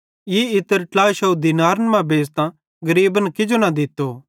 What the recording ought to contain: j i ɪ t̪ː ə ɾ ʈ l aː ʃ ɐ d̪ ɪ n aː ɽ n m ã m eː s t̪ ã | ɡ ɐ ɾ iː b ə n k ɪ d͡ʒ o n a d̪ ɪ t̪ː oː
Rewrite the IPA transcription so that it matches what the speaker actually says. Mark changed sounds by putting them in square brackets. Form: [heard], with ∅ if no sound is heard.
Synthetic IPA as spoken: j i ɪ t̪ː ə ɾ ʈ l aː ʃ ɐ d̪ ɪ n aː [ɾ] n m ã [b] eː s t̪ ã | ɡ ɐ ɾ iː b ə n k ɪ d͡ʒ o n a d̪ ɪ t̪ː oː